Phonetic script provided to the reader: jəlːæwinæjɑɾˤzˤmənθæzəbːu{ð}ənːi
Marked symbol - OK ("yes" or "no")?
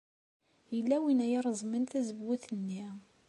no